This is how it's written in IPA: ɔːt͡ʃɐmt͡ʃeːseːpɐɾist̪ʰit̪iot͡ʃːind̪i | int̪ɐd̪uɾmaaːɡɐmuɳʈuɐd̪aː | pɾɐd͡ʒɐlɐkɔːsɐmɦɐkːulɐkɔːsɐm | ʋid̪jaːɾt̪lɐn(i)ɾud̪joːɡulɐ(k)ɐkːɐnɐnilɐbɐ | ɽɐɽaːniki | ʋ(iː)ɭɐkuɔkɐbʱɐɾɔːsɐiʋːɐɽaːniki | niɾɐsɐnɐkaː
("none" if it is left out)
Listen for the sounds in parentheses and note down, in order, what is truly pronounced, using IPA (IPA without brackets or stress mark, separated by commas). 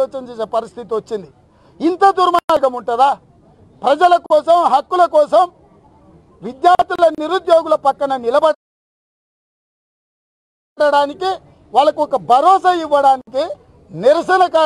i, p, aː